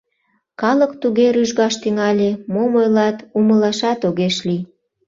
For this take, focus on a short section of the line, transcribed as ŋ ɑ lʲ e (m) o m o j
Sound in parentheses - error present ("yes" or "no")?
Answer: no